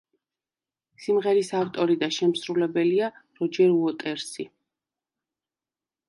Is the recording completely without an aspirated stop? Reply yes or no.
yes